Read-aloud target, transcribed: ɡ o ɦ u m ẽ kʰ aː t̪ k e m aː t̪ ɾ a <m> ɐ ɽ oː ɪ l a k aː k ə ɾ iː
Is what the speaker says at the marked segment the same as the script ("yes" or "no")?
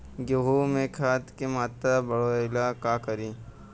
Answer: no